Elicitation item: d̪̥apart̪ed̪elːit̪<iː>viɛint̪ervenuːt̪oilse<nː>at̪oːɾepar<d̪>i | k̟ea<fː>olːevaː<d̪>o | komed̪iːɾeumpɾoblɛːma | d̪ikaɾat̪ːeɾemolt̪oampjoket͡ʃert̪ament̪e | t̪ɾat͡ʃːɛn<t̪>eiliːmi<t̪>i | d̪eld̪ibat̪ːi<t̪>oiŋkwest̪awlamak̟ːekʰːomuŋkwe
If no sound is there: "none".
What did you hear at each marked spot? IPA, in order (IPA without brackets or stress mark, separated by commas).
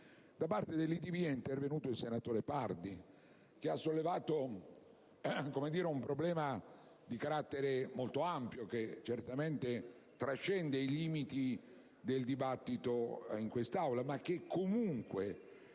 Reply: i, n, d̪, sː, t̪, d̪, t̪, t̪